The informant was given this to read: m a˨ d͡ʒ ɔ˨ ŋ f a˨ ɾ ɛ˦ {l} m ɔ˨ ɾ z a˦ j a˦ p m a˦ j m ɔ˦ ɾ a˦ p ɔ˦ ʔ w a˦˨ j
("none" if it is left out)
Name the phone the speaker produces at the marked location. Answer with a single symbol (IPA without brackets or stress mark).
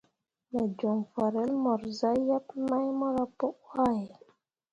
l